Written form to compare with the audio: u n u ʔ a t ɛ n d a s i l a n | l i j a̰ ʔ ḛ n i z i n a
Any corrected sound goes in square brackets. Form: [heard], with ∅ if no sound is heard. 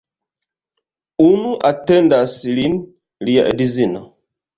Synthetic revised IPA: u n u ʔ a t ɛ n d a s i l [i] n | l i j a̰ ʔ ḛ [d] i z i n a